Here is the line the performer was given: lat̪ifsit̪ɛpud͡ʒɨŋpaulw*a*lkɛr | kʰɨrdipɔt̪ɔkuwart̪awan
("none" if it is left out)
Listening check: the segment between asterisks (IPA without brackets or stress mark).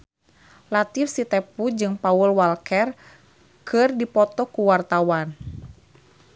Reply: a